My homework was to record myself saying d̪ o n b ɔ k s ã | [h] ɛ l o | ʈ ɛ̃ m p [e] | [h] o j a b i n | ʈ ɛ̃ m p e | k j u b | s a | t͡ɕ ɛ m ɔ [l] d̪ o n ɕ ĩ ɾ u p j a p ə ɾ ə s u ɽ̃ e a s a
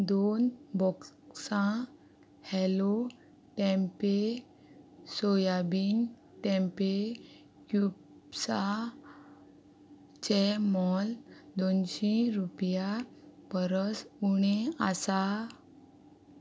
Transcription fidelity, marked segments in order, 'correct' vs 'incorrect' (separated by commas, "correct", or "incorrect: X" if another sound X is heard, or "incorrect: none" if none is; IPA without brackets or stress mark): correct, correct, incorrect: s, correct